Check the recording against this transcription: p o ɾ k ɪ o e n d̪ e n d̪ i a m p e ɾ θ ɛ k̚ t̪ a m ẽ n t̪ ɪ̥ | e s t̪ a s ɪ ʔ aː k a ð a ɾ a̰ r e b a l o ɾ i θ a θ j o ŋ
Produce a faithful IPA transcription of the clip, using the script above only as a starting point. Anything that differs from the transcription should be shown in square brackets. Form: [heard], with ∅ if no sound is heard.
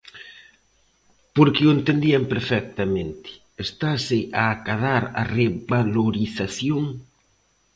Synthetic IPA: p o ɾ k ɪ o e n [t̪] e n d̪ i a m p e ɾ [f] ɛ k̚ t̪ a m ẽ n t̪ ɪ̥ | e s t̪ a s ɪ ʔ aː k a ð a ɾ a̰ r e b a l o ɾ i θ a θ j o ŋ